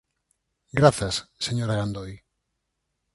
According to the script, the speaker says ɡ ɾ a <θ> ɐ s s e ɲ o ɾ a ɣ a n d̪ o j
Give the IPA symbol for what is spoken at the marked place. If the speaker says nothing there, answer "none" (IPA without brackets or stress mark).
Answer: θ